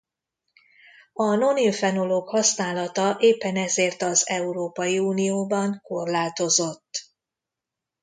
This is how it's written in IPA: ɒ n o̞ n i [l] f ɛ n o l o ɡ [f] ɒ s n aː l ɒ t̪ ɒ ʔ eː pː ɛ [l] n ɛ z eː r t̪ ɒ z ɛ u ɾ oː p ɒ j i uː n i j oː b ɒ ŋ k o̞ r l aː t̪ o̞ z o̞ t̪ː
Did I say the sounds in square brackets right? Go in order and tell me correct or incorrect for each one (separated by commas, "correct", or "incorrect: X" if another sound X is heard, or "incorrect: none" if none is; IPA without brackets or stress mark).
correct, incorrect: h, incorrect: none